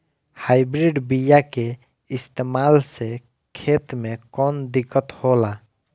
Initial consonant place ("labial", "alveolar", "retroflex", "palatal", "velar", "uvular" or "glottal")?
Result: glottal